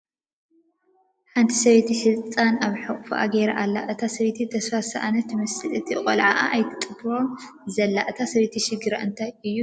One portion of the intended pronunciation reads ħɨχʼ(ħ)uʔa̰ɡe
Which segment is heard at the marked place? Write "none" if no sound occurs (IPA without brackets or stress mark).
f